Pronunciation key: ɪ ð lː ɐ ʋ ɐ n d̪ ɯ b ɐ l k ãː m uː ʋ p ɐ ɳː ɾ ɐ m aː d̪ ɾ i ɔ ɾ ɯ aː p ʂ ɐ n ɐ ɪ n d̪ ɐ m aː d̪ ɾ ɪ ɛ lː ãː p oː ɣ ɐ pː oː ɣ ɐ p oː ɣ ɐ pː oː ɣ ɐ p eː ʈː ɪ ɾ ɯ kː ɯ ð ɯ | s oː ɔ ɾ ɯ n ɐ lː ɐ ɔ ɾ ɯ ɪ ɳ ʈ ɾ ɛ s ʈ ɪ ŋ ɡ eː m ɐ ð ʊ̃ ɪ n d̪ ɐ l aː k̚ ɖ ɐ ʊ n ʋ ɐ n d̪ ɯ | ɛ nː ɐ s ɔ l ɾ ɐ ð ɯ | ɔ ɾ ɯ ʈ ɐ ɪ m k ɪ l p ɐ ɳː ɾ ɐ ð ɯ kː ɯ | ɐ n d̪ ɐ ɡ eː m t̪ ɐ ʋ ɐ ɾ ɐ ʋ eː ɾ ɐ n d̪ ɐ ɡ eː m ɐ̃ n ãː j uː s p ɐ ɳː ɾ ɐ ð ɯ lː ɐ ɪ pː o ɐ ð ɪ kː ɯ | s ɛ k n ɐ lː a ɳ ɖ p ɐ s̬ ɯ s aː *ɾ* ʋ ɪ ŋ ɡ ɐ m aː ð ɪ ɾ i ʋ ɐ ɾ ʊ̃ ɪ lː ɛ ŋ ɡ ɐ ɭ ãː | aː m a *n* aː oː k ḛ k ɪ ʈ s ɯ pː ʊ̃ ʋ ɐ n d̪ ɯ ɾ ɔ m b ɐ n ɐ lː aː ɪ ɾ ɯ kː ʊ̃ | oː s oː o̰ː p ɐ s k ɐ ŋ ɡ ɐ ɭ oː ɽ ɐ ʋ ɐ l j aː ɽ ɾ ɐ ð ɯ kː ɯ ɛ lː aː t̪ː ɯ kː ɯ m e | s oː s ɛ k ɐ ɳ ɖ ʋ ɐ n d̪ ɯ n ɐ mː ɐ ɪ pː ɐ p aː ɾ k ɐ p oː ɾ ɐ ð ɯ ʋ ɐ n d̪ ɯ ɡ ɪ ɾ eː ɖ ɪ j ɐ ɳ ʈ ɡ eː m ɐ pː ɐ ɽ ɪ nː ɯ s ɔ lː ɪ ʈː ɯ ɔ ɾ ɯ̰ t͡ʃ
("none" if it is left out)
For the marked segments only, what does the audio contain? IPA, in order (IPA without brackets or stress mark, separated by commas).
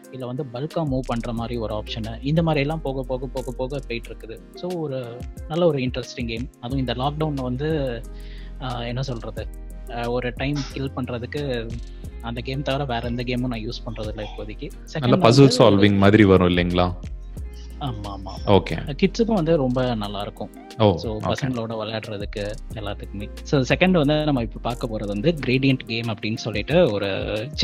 l, m